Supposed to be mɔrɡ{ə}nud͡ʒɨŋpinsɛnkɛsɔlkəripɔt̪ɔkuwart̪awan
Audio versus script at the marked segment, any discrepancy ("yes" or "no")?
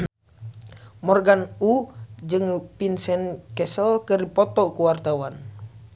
yes